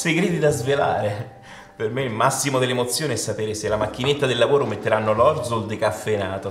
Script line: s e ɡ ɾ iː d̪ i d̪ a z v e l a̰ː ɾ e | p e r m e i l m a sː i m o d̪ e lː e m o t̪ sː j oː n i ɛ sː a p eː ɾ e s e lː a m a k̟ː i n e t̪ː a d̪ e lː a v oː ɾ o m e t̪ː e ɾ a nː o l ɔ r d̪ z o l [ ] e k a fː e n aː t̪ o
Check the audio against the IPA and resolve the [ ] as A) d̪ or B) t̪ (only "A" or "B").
A